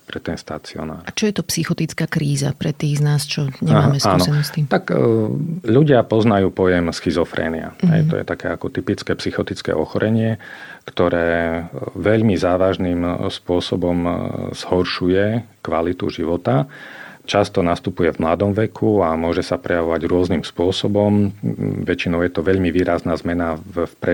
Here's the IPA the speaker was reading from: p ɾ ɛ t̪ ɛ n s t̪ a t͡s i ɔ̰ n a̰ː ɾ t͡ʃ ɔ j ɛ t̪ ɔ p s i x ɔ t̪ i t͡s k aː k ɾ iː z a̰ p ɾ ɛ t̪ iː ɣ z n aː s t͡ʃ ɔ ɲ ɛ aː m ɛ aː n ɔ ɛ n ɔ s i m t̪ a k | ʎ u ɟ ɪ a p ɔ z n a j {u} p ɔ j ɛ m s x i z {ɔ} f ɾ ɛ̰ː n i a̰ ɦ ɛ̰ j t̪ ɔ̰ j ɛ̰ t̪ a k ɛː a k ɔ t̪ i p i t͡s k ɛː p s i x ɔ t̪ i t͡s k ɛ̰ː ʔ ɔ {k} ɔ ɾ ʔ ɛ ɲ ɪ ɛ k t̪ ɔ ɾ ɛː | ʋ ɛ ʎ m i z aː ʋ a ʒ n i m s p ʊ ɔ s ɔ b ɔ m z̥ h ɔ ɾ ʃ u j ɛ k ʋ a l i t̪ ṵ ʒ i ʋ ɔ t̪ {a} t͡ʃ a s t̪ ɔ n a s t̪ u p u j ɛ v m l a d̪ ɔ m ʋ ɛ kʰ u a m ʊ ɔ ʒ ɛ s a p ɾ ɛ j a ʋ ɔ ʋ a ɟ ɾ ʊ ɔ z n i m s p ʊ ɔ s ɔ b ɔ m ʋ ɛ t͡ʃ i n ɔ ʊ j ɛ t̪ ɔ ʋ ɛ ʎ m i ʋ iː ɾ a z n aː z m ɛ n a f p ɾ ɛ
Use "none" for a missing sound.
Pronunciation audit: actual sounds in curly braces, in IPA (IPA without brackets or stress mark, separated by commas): uː, ɔ, x, a